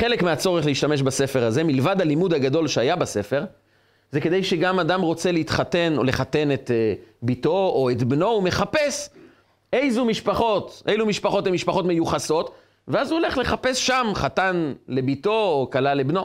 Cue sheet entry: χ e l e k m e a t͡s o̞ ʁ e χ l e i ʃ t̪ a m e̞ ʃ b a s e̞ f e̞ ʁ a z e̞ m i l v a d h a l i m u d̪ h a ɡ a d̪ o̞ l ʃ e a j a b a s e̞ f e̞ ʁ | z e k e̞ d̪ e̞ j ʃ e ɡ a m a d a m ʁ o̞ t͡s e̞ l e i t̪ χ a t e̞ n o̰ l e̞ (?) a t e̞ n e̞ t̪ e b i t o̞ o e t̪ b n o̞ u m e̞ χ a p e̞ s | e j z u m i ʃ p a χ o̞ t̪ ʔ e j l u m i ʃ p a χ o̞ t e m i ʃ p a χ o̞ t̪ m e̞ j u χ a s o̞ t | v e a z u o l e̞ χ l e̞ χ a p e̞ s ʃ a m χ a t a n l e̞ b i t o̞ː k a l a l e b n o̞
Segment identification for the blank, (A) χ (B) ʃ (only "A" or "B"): A